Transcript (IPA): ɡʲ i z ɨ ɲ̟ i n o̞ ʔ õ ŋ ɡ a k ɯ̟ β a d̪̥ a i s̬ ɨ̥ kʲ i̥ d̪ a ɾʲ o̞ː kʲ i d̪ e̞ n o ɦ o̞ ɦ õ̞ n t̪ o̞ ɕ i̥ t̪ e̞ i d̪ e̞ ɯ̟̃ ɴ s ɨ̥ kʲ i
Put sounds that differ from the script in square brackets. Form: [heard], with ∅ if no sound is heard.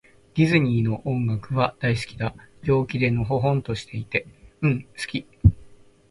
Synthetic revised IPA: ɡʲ i z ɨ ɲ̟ [iː] n o̞ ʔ õ ŋ ɡ a k ɯ̟ β a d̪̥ a i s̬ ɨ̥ kʲ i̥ d̪ a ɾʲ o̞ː kʲ i d̪ e̞ n o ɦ o̞ ɦ õ̞ n t̪ o̞ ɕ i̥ t̪ e̞ i [t̪] e̞ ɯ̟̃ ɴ s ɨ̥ kʲ i